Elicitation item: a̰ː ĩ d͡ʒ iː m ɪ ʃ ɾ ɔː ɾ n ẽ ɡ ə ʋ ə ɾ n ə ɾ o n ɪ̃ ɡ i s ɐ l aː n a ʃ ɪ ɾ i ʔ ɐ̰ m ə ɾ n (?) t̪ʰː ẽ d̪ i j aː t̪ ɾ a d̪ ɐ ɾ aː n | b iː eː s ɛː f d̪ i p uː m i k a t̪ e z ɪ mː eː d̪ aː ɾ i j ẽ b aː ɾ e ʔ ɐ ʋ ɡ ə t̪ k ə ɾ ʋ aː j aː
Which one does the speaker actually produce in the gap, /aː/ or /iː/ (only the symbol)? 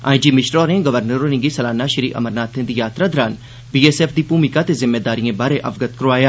aː